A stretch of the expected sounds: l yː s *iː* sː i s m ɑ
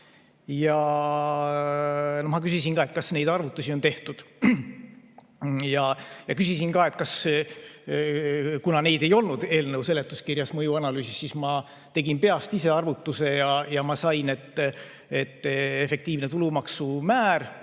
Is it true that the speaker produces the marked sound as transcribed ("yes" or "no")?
no